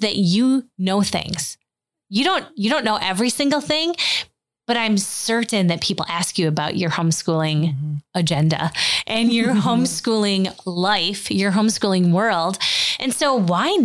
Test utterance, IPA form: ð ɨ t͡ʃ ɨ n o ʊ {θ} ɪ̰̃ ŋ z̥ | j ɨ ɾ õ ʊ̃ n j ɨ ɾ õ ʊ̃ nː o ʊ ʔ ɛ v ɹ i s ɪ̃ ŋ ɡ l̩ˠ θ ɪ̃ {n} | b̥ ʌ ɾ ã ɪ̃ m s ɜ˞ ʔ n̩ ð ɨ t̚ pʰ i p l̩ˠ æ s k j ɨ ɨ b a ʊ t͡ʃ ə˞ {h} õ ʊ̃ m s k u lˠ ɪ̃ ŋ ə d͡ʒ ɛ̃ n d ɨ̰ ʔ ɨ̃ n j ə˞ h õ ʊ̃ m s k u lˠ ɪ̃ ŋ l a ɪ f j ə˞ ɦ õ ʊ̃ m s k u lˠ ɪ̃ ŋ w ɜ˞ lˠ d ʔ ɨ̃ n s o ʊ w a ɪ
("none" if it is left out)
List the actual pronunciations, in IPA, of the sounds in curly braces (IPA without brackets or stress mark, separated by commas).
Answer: θ, ŋ, h